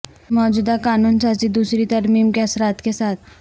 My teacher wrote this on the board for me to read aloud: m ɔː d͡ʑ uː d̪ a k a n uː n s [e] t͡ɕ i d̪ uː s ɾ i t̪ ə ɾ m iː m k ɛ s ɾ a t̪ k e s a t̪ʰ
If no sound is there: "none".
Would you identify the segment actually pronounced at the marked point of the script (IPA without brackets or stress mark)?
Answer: a